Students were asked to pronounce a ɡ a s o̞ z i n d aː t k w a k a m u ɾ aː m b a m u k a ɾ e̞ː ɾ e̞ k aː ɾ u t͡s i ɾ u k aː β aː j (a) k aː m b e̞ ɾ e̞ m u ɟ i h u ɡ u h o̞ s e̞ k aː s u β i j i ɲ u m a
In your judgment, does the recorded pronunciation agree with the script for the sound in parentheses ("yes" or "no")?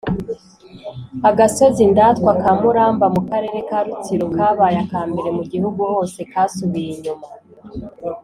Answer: yes